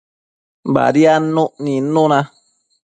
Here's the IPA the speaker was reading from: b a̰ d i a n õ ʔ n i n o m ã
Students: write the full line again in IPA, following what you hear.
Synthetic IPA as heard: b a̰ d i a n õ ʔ n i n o n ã